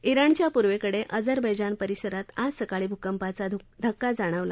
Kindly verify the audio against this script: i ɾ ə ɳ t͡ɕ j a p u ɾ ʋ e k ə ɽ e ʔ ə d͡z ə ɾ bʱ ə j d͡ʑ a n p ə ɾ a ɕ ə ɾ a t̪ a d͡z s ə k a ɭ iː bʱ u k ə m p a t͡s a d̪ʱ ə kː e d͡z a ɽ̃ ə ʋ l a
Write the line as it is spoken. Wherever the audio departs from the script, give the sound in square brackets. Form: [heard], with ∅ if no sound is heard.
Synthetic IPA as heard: i ɾ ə ɳ t͡ɕ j a p u ɾ ʋ e k ə ɽ e ʔ ə d͡z ə ɾ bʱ ə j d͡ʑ a n p ə ɾ [i] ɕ ə ɾ a t̪ a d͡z s ə k a ɭ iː bʱ u k ə m p a t͡s a d̪ʱ ə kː [a] d͡z a ɽ̃ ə ʋ l a

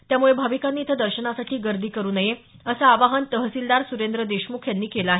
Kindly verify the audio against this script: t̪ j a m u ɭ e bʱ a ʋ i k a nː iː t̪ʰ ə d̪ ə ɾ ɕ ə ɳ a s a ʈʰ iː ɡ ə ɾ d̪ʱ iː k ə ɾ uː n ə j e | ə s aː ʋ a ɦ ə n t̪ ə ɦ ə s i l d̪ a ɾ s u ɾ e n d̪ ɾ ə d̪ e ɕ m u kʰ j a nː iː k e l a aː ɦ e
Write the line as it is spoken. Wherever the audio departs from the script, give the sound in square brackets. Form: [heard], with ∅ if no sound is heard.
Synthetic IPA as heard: t̪ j a m u ɭ e bʱ a ʋ i k a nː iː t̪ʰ ə d̪ ə ɾ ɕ ə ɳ a s a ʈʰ iː ɡ ə ɾ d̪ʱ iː k ə ɾ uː n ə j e | ə s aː ʋ a ɦ ə n t̪ ə ɦ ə s i l d̪ a ɾ s u ɾ e n d̪ ɾ ə d̪ e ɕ m u kʰ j a nː iː k e l a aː ɦ e

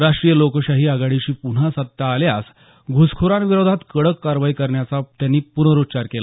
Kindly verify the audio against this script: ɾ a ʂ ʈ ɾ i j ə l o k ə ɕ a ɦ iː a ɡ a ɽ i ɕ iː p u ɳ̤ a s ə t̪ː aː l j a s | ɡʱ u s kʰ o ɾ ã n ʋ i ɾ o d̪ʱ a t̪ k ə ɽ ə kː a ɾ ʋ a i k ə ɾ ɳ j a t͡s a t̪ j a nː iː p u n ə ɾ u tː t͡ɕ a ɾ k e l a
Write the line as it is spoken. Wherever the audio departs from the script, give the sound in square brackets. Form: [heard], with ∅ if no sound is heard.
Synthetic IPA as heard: ɾ a ʂ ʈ ɾ i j ə l o k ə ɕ a ɦ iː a ɡ a ɽ i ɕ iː p u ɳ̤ a s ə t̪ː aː l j a s | ɡʱ u s kʰ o ɾ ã n ʋ i ɾ o d̪ʱ a t̪ k ə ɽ ə kː a ɾ ʋ a i k ə ɾ ɳ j a t͡s a t̪ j a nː iː p u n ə ɾ u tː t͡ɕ a ɾ k e l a

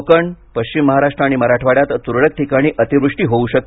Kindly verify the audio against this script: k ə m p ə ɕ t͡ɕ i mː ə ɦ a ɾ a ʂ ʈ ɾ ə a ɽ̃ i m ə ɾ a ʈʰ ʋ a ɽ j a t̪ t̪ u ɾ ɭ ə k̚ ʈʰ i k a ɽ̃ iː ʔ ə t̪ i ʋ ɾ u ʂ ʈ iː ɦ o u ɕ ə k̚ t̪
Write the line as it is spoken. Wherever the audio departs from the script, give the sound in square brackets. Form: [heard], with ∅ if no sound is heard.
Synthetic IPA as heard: k ə [ɳ] p ə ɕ t͡ɕ i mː ə ɦ a ɾ a ʂ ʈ ɾ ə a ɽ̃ i m ə ɾ a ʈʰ ʋ a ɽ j a t̪ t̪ u ɾ ɭ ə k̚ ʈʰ i k a ɽ̃ iː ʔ ə t̪ i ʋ ɾ u ʂ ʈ iː ɦ o u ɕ ə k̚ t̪

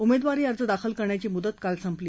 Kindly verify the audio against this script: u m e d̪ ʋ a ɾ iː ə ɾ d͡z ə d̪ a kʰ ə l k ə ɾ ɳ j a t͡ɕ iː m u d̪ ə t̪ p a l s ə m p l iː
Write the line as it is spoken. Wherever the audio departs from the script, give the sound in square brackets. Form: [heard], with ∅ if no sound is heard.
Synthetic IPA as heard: u m e d̪ ʋ a ɾ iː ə ɾ d͡z ə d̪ a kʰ ə l k ə ɾ ɳ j a t͡ɕ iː m u d̪ ə t̪ [k] a l s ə m p l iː

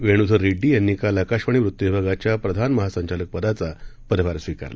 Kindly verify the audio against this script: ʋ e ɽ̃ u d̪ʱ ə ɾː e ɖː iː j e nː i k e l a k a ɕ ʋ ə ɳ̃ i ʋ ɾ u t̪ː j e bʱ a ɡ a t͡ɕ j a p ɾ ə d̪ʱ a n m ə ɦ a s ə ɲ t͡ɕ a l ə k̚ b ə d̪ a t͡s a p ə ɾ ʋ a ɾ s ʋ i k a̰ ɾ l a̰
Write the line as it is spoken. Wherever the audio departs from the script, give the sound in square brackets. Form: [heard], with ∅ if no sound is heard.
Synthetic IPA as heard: ʋ e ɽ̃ u d̪ʱ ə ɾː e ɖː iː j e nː i k [a] l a k a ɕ ʋ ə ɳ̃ i ʋ ɾ u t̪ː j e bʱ a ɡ a t͡ɕ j a p ɾ ə d̪ʱ a n m ə ɦ a s ə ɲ t͡ɕ a l ə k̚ [p] ə d̪ a t͡s a p ə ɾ ʋ a ɾ s ʋ i k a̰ ɾ l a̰

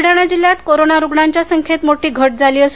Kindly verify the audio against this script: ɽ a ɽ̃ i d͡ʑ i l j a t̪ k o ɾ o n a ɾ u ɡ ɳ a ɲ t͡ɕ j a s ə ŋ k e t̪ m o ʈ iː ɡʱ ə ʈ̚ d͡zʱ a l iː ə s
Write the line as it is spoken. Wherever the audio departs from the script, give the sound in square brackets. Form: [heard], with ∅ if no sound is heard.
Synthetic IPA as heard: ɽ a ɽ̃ [a] d͡ʑ i l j a t̪ k o ɾ o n a ɾ u ɡ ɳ a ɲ t͡ɕ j a s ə ŋ [kʰ] e t̪ m o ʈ iː ɡʱ ə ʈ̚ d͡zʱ a l iː ə s

